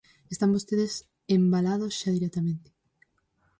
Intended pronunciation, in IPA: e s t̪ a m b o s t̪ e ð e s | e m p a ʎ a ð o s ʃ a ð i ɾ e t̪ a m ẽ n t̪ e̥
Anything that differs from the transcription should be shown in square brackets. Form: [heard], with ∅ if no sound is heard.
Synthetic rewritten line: e s t̪ a m b o s t̪ e ð e s | e m [b] a [l] a ð o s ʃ a ð i ɾ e t̪ a m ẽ n t̪ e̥